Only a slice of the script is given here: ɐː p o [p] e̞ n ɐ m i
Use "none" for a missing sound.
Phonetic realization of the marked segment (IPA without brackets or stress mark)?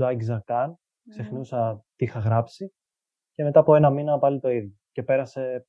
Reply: none